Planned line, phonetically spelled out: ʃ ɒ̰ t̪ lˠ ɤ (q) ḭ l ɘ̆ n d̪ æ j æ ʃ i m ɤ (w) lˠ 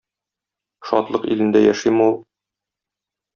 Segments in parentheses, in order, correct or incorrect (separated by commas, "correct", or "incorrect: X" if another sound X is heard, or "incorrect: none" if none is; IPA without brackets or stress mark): correct, incorrect: u